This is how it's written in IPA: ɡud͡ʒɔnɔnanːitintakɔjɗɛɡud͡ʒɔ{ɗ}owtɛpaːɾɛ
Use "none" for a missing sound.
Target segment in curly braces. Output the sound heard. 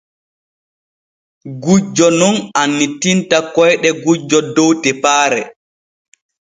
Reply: d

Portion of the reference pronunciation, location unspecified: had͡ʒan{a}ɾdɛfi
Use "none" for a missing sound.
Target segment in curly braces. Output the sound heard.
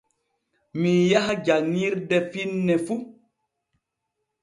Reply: i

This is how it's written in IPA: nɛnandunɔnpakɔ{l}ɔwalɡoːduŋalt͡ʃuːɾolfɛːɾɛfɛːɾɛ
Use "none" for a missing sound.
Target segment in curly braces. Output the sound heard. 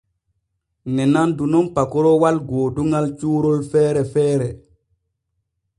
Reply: ɾ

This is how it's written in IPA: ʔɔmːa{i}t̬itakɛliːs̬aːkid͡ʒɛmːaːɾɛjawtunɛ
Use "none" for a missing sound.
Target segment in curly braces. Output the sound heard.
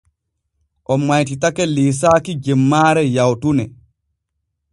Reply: j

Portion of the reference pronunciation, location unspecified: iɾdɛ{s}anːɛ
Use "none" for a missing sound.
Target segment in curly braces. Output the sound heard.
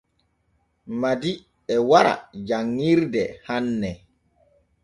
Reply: h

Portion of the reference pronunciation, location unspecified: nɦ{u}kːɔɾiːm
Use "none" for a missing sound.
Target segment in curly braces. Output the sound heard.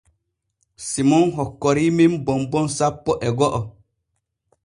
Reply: ɔ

